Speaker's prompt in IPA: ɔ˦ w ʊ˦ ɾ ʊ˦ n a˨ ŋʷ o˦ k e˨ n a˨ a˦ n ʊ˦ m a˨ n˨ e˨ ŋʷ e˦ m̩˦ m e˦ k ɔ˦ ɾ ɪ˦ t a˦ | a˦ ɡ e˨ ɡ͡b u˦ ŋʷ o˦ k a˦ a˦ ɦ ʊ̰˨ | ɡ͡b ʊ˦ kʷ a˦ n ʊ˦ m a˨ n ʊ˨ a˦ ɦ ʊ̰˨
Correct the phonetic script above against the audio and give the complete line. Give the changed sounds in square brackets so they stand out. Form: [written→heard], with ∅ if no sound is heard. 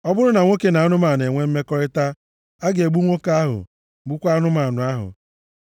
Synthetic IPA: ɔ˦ [w→b] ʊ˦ ɾ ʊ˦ n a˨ ŋʷ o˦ k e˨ n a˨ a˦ n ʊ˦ m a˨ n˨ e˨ ŋʷ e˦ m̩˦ m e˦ k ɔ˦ ɾ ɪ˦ t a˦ | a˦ ɡ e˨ ɡ͡b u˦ ŋʷ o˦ k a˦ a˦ ɦ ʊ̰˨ | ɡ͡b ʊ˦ kʷ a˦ n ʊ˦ m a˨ n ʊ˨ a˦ ɦ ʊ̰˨